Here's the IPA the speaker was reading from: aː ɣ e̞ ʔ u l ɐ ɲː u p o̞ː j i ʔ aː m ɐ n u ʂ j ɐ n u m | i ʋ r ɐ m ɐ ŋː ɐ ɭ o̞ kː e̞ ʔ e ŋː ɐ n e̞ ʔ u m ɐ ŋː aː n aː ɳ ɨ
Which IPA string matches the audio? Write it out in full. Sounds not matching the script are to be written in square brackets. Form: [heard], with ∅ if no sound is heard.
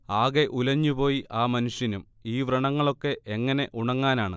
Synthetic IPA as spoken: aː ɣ e̞ ʔ u l ɐ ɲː u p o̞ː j i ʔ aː m ɐ n u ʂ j ɐ n u m | [iː] ʋ r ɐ [ɳ] ɐ ŋː ɐ ɭ o̞ kː e̞ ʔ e ŋː ɐ n e̞ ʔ u [ɳ] ɐ ŋː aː n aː ɳ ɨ